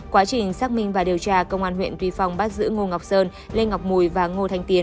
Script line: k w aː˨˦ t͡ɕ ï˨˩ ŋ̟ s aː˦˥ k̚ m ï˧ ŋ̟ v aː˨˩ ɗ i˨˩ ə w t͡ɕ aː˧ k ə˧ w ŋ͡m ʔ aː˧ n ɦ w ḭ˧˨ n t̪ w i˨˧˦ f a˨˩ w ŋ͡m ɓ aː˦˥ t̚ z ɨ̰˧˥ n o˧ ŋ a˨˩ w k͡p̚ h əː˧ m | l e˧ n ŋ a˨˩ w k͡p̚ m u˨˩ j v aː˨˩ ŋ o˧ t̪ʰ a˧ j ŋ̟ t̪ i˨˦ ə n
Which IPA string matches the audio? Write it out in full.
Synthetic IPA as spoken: k w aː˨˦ t͡ɕ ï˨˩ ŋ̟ s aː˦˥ k̚ m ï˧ ŋ̟ v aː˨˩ ɗ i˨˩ ə w t͡ɕ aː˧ k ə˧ w ŋ͡m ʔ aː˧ n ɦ w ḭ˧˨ n t̪ w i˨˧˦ f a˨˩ w ŋ͡m ɓ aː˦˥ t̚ z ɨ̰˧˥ ŋ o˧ ŋ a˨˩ w k͡p̚ s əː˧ n | l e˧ n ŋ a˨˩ w k͡p̚ m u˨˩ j v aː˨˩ ŋ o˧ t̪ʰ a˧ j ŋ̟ t̪ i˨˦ ə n